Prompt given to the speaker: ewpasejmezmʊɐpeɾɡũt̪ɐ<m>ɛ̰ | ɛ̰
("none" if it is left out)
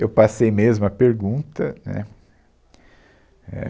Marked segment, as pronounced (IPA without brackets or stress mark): n